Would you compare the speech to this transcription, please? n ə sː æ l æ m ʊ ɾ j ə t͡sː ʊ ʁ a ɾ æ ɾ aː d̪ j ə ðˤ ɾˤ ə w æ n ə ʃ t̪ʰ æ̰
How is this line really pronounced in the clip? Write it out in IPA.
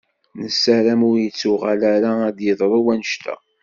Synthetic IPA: n ə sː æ ɾ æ m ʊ ɾ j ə t͡sː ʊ ʁ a l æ ɾ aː d̪ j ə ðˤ ɾˤ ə w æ n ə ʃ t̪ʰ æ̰